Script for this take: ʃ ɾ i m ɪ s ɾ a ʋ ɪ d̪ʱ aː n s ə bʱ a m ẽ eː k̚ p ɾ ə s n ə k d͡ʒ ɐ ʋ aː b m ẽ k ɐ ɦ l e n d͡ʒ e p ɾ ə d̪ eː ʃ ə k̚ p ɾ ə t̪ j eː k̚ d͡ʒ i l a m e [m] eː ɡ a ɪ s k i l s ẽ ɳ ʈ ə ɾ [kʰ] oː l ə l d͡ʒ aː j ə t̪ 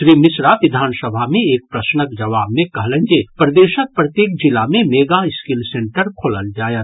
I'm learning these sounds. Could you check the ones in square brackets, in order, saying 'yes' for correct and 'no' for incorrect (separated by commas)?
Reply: yes, yes